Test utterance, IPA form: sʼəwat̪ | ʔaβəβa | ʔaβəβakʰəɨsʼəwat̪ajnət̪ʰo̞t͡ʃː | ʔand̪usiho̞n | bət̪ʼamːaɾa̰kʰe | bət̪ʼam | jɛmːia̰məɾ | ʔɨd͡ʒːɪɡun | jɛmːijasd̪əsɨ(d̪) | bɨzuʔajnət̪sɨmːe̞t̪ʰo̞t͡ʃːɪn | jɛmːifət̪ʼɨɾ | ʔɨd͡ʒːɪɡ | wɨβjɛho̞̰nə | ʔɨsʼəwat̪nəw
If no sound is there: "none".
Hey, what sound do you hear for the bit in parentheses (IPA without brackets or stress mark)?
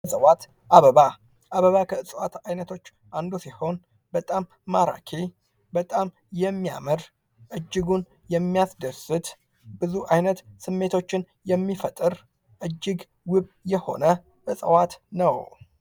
t̪